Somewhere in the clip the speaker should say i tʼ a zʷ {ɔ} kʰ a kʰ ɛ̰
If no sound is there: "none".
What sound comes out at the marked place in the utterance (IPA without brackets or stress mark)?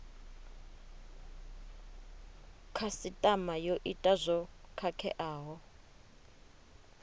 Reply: ɔ